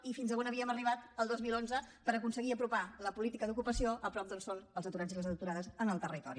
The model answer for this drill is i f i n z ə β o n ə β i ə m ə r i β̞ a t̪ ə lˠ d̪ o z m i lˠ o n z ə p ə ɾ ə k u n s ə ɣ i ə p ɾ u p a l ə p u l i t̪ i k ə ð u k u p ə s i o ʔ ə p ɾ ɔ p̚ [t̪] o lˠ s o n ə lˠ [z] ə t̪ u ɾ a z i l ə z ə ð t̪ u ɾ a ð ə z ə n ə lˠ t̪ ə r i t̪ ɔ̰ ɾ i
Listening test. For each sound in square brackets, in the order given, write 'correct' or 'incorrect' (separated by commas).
incorrect, correct